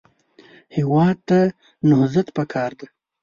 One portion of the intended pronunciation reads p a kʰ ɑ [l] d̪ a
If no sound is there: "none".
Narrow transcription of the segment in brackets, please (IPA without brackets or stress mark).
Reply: ɾ